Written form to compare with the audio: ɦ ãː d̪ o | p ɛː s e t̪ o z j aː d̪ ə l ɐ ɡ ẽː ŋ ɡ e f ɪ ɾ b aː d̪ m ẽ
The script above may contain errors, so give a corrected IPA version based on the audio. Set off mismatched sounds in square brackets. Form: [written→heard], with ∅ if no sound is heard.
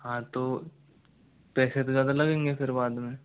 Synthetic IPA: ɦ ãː [d̪→t̪] o | p ɛː s e t̪ o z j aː d̪ [ə→a] l ɐ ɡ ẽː ŋ ɡ e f ɪ ɾ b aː d̪ m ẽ